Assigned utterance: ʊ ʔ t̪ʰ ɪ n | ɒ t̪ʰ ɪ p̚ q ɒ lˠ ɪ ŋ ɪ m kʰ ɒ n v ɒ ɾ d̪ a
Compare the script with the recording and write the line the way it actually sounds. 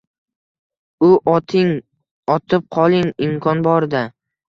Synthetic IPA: ʊ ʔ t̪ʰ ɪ ŋ | ɒ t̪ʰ ɪ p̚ qʰ ɒ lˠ ɪ ŋ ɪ m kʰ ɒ n b ɒ ɾ d̪ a

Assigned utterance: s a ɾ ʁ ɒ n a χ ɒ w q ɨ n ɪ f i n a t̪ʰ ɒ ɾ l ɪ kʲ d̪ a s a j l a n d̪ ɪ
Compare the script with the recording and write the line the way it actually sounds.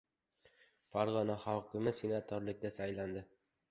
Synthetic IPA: f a ɾ ʁ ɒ n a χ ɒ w q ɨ m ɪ s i n a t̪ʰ ɒ ɾ l ɪ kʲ d̪ a s a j l a n d̪ ɪ

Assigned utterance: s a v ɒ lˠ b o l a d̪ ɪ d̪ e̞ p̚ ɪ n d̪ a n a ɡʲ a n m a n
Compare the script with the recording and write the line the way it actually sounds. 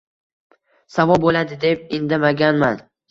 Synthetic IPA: s a v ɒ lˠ b o l a d̪ ɪ d̪ e̞ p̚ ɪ n d̪ a m a ɡʲ a n m a n

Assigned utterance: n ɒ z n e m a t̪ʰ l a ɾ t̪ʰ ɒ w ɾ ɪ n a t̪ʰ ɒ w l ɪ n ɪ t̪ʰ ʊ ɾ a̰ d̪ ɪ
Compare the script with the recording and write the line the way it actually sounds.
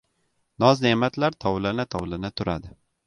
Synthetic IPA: n ɒ z n e m a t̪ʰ l a ɾ t̪ʰ ɒ w l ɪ n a t̪ʰ ɒ w l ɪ n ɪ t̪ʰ ʊ ɾ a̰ d̪ ɪ

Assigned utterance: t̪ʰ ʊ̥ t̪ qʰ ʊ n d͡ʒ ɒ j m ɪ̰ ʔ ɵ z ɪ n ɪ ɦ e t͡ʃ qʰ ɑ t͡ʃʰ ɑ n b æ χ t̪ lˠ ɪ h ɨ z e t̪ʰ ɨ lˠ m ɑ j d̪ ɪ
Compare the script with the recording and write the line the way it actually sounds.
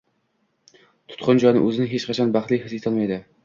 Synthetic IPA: t̪ʰ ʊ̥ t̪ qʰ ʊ n d͡ʒ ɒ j n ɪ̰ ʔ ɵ z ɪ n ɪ ɦ e t͡ʃ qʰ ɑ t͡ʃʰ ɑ n b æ χ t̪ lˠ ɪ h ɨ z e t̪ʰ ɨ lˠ m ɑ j d̪ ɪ

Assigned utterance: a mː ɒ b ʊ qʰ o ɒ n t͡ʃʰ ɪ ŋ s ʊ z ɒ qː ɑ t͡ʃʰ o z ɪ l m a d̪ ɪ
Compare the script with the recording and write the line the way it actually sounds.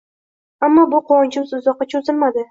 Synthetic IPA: a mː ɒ b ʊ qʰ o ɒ n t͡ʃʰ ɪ m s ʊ z ɒ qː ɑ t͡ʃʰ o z ɪ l m a d̪ ɪ

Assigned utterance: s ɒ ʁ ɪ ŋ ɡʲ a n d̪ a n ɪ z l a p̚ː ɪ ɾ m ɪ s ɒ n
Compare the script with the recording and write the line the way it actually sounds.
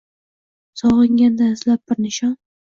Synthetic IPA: s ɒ ʁ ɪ ŋ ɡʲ a n d̪ a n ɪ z l a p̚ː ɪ ɾ n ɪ ʃ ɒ n

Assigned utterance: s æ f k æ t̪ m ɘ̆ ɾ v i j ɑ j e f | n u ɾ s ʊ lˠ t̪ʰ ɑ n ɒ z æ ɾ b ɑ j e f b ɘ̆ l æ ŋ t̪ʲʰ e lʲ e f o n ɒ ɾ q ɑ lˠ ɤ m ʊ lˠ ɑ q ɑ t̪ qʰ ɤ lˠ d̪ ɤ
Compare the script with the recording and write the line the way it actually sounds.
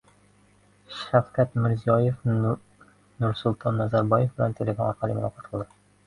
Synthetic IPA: ʃ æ f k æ t̪ m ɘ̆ ɾ z i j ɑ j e f | n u ɾ s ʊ lˠ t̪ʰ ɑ nː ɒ z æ ɾ b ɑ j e f b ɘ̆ l æ n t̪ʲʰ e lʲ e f o n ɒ ɾ q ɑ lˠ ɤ m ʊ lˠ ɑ q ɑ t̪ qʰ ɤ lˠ d̪ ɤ

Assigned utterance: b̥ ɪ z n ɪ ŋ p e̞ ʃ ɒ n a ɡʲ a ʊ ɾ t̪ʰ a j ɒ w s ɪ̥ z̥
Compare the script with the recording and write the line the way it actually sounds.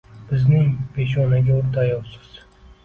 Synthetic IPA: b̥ ɪ z n ɪ ŋ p e̞ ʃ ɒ n a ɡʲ a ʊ ɾ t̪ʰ a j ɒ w s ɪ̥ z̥

